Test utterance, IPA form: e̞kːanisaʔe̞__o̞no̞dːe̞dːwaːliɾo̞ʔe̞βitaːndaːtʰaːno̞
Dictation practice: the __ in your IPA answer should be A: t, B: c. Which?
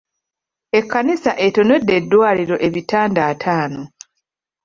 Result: A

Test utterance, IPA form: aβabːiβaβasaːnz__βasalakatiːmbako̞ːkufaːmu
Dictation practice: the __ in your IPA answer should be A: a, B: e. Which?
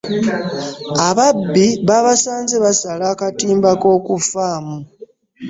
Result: B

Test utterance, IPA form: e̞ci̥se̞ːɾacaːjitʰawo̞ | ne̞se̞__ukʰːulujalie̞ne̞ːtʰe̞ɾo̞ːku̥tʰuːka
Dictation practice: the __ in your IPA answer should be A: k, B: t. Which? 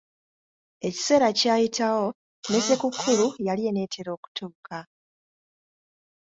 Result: A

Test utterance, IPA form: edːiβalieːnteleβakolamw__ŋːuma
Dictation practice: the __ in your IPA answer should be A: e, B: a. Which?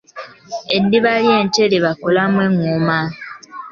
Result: A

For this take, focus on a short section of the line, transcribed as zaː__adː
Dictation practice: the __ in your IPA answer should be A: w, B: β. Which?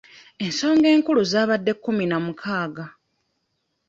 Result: B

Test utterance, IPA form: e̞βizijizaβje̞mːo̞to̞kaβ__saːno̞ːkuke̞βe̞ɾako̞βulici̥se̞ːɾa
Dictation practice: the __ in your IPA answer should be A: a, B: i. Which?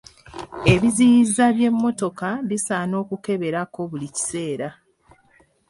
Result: B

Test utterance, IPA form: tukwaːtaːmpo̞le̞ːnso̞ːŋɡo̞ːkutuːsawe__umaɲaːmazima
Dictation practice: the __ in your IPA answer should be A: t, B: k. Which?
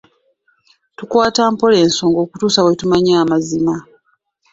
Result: A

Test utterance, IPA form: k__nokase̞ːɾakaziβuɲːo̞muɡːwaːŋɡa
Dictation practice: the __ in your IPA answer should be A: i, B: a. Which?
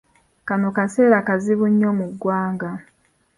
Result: B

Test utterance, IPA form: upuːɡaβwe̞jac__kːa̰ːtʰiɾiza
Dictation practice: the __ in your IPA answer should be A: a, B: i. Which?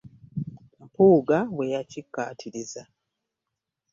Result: B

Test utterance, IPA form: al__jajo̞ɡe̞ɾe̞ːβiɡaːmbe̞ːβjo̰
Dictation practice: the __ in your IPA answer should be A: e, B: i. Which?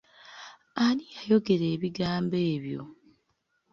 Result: B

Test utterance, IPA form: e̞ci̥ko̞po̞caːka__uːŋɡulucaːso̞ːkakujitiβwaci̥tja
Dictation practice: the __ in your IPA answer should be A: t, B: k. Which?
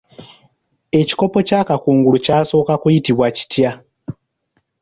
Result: B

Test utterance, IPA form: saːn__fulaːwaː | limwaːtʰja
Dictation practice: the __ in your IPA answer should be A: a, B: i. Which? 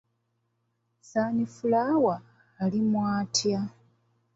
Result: B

